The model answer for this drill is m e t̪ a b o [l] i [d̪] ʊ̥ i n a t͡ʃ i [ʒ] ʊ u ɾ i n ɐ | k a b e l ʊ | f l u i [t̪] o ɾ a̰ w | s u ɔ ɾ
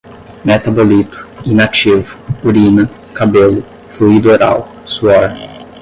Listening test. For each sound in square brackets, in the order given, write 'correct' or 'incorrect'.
correct, incorrect: t̪, incorrect: v, incorrect: d̪

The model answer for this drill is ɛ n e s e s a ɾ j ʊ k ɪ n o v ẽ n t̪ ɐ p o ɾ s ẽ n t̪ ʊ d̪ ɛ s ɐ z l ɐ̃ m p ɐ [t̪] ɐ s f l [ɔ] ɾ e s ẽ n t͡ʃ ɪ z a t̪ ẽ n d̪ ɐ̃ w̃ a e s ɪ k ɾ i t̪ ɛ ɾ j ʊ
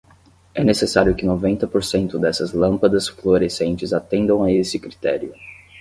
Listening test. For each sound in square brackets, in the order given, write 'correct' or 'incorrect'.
incorrect: d̪, incorrect: o

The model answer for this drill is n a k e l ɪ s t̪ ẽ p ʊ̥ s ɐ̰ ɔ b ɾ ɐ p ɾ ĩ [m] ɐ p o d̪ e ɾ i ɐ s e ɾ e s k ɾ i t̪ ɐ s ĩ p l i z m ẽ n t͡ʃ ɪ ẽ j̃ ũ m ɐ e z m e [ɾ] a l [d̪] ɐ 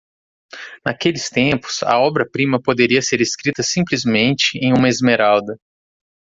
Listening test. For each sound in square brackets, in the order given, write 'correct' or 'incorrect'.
correct, correct, correct

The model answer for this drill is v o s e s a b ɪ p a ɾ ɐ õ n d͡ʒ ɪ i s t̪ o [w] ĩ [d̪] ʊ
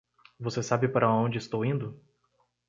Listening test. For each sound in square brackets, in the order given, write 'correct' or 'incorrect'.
correct, correct

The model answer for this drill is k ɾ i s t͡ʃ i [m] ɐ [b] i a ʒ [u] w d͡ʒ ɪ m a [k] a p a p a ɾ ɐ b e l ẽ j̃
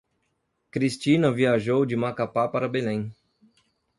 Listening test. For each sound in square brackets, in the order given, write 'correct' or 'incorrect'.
incorrect: n, incorrect: v, incorrect: o, correct

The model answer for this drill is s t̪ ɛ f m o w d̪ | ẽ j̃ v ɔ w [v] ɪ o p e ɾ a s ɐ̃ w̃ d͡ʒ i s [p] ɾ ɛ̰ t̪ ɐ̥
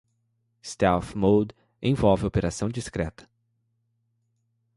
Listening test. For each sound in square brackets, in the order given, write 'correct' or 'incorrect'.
correct, incorrect: k

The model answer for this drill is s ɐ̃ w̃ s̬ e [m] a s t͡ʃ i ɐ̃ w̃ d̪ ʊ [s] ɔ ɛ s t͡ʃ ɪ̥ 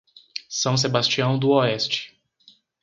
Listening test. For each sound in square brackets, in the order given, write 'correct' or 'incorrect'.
incorrect: b, incorrect: none

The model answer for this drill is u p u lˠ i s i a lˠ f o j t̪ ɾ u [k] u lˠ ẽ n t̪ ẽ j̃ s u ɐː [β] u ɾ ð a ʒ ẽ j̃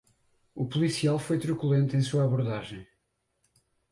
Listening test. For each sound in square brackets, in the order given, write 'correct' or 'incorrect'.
correct, correct

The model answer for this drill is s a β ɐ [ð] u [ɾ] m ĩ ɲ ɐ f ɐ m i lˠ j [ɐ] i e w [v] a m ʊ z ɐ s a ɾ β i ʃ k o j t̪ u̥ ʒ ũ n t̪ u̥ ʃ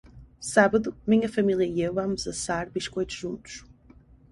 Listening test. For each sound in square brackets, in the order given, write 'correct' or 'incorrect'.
correct, incorrect: none, correct, correct

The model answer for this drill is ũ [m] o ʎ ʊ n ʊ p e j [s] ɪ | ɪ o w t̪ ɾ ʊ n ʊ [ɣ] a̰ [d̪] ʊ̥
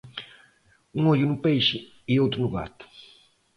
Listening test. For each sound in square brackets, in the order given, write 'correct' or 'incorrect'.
incorrect: ŋ, incorrect: ʃ, correct, incorrect: t̪

